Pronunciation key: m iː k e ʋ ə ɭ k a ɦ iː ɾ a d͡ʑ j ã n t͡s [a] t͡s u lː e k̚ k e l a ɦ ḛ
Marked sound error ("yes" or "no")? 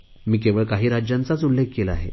no